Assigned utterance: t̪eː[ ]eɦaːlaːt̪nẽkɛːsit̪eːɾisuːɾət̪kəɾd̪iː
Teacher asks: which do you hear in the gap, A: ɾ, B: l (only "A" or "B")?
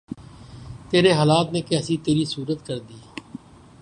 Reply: A